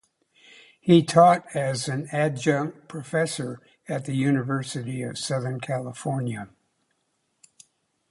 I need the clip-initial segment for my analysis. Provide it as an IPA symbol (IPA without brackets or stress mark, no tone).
h